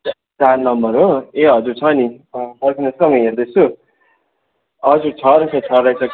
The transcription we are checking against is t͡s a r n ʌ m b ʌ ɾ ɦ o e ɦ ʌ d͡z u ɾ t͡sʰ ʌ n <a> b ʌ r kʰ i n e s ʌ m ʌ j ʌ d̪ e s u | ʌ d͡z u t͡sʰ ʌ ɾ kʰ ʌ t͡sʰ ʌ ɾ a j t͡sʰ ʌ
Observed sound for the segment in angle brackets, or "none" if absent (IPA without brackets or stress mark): i